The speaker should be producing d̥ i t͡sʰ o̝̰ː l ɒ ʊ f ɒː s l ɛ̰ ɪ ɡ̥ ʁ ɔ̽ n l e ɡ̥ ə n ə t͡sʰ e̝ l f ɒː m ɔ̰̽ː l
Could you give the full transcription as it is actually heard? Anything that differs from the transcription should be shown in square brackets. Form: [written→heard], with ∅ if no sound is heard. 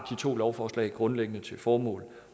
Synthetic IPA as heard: d̥ i t͡sʰ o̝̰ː l ɒ ʊ f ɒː s l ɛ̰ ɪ ɡ̥ ʁ ɔ̽ n l e ɡ̥ ə n ə t͡sʰ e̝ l f ɒː m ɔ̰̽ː l